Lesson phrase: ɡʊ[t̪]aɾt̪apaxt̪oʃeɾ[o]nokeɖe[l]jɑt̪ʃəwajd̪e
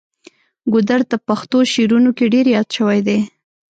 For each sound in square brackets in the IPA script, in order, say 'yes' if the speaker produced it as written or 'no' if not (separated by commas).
no, no, no